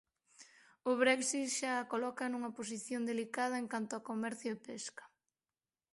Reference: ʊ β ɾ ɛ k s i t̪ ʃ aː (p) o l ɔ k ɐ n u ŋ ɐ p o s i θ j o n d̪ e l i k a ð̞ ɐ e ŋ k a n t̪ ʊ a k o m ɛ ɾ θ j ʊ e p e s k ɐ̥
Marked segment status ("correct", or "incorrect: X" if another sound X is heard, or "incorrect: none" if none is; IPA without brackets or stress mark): incorrect: k